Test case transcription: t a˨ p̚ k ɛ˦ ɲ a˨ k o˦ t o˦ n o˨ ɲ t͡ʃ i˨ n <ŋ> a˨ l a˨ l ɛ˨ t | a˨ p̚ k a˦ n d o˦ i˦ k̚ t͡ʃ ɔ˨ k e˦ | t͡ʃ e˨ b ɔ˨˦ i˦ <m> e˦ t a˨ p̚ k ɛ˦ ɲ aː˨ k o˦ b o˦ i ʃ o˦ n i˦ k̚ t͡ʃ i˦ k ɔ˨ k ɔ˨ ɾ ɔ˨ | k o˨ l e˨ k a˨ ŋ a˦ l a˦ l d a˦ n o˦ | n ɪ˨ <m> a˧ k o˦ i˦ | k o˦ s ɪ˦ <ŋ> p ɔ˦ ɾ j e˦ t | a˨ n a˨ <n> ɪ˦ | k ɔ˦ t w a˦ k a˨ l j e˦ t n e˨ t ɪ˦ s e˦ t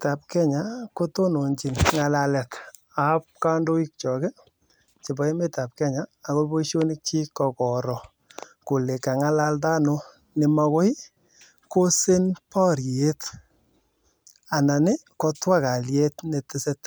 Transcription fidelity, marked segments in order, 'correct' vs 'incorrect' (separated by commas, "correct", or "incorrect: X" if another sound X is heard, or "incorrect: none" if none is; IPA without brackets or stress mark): correct, correct, correct, incorrect: n, correct